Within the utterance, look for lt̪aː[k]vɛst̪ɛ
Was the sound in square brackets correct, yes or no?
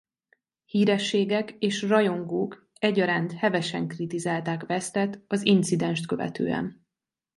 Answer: yes